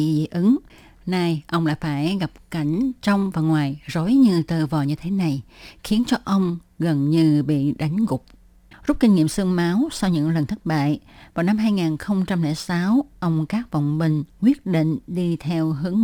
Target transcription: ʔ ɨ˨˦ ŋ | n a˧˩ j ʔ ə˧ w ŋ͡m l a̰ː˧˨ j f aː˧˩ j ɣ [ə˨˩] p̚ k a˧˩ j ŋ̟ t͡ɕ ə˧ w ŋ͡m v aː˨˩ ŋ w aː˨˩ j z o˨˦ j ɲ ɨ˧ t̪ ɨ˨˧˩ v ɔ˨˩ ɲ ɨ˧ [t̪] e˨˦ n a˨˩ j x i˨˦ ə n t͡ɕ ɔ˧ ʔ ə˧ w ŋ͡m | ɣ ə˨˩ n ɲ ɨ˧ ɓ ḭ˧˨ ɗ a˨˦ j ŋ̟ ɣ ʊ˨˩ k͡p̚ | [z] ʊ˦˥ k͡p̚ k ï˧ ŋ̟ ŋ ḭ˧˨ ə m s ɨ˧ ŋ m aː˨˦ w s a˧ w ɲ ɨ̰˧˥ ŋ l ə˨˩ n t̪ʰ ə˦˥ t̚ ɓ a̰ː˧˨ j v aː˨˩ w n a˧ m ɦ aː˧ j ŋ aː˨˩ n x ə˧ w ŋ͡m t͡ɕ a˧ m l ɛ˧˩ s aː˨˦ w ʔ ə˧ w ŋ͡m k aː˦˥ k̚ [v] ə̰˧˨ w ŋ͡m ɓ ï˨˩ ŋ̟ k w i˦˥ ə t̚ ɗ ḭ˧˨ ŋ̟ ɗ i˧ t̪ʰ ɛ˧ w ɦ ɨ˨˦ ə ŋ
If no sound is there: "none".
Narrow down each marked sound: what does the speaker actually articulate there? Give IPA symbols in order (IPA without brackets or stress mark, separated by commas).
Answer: a˨˩, t̪ʰ, z, v